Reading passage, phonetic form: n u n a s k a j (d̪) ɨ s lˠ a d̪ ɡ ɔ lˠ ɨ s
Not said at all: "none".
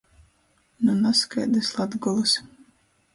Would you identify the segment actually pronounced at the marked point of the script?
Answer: d̪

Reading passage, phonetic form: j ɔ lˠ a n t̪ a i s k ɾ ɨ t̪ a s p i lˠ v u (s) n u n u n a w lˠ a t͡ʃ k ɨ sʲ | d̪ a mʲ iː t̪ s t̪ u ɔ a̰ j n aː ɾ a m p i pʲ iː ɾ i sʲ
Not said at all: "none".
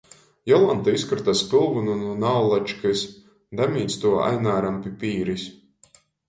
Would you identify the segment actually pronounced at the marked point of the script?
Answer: none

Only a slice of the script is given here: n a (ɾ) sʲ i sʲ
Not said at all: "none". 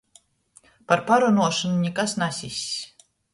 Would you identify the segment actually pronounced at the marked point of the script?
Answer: none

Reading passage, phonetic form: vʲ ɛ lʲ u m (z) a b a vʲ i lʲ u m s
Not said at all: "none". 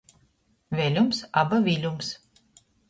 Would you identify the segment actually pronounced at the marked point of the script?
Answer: s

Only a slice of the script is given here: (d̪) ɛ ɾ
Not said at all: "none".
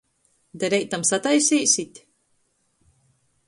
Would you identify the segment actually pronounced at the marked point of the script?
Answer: d̪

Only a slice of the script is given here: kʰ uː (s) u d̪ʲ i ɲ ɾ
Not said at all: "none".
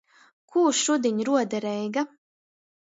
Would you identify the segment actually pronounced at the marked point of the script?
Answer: ʃ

